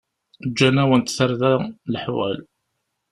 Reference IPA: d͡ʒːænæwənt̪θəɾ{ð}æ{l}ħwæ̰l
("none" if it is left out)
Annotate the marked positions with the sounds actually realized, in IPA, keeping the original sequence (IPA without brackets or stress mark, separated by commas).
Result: ð, l